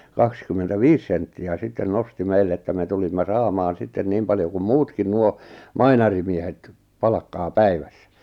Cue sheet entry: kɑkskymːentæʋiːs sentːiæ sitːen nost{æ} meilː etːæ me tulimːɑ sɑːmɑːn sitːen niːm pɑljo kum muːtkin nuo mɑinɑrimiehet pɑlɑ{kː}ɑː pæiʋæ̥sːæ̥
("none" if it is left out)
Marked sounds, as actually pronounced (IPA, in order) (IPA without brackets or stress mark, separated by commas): i, kː